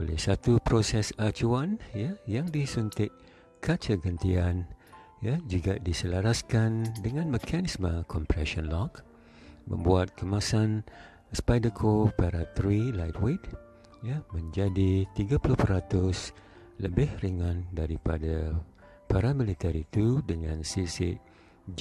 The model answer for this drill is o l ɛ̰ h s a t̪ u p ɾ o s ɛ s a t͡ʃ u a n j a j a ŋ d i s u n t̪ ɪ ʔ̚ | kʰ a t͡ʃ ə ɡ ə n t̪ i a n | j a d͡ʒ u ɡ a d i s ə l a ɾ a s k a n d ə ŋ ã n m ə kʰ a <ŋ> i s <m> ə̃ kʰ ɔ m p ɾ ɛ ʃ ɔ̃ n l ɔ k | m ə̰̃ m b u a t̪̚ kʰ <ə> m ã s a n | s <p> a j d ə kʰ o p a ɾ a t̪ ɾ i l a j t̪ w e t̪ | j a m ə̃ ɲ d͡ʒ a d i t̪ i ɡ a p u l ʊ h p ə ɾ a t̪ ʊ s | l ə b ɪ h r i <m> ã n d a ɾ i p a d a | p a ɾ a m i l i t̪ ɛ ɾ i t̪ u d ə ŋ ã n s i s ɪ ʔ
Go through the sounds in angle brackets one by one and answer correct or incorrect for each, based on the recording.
incorrect: n, correct, correct, correct, incorrect: ŋ

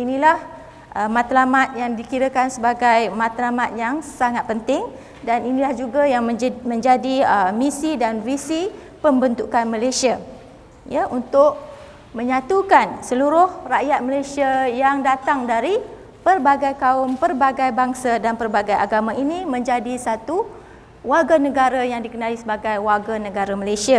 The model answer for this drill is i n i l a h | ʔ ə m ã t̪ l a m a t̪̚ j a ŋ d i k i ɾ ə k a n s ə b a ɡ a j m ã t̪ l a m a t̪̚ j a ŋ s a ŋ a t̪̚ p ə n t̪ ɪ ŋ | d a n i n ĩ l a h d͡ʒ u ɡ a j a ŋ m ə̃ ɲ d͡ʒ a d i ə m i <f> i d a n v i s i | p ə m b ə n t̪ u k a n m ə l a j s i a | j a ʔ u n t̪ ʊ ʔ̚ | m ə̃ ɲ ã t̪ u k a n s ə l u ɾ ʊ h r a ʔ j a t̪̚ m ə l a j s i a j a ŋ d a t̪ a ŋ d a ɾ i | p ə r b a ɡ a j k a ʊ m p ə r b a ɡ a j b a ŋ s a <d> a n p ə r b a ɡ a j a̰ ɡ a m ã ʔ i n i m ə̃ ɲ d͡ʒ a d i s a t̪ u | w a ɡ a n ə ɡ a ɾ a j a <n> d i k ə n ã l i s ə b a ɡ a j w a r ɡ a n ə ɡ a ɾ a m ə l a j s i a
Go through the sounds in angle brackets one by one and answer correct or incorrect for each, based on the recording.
incorrect: s, correct, incorrect: ŋ

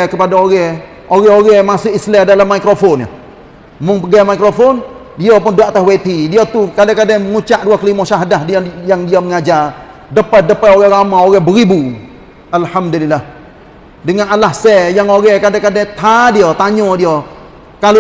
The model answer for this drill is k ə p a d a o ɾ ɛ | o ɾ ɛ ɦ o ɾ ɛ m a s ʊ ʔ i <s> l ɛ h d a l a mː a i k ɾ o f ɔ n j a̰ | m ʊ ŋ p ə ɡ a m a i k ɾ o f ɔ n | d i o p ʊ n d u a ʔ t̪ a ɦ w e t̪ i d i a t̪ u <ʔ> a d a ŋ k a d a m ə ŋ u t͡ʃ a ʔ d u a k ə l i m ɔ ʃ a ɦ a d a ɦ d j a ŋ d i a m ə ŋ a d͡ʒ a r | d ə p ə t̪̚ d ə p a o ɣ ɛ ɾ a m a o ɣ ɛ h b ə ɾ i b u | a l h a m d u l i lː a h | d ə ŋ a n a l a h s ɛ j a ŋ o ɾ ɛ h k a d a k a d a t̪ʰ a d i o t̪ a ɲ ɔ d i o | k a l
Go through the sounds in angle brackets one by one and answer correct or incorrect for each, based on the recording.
correct, incorrect: k

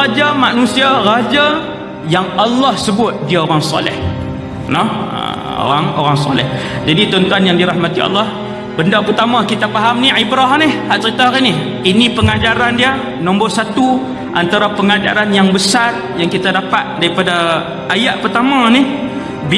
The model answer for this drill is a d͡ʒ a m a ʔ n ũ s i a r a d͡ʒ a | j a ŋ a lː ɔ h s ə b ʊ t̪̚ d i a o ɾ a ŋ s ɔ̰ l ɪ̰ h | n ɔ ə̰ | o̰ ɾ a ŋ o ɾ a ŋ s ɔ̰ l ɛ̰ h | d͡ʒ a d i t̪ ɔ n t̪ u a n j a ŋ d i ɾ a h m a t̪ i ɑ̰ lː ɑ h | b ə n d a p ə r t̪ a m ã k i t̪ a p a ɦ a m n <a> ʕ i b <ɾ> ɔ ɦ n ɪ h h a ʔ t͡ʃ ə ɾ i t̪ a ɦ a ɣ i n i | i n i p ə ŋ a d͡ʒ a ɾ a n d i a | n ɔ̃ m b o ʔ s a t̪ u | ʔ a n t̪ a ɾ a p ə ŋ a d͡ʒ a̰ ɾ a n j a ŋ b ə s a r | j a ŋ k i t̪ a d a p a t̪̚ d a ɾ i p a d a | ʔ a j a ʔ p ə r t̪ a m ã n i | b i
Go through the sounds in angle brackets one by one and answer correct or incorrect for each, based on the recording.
incorrect: i, correct

